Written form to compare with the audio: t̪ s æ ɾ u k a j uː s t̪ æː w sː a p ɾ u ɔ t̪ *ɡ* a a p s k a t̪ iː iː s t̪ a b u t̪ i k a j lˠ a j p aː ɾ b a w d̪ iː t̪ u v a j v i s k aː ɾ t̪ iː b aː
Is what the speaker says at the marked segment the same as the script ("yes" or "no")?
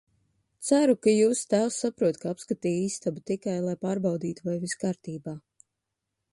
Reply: no